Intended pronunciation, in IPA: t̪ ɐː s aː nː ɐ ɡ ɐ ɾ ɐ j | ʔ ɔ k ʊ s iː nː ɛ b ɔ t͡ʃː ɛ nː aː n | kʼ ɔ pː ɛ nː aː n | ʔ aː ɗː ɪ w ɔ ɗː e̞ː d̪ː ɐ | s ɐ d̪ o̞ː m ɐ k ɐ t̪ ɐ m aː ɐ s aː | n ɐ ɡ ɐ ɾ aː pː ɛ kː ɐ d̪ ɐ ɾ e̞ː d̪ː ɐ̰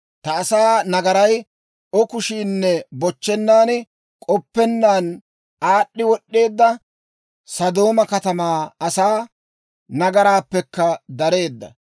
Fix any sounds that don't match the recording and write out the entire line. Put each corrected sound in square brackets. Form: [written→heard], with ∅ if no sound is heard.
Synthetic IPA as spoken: t̪ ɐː s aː [nː→n] ɐ ɡ ɐ ɾ ɐ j | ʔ ɔ k ʊ [s→ʃ] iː nː ɛ b ɔ t͡ʃː ɛ nː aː n | kʼ ɔ pː ɛ nː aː n | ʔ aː ɗː ɪ w ɔ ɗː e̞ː d̪ː ɐ | s ɐ d̪ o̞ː m ɐ k ɐ t̪ ɐ m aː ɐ s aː | n ɐ ɡ ɐ ɾ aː pː ɛ kː ɐ d̪ ɐ ɾ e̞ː d̪ː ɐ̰